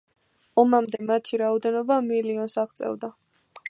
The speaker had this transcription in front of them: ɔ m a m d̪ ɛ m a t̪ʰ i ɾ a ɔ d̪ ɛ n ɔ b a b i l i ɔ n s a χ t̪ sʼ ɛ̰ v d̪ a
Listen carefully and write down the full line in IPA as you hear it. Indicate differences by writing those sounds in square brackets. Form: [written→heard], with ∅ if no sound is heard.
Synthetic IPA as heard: ɔ m a m d̪ ɛ m a t̪ʰ i ɾ a ɔ d̪ ɛ n ɔ b a [b→m] i l i ɔ n s a [χ→ʁ] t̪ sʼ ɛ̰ v d̪ a